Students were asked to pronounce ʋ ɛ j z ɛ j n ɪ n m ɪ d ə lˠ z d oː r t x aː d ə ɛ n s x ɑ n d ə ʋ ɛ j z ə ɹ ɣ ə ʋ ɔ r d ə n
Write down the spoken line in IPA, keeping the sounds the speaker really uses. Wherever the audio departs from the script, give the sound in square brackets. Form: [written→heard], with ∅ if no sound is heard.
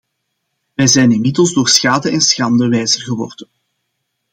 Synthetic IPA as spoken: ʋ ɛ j z ɛ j n ɪ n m ɪ d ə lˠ z d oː r [t→s] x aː d ə ɛ n s x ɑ n d ə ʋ ɛ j z ə [ɹ→r] ɣ ə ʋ ɔ r d ə n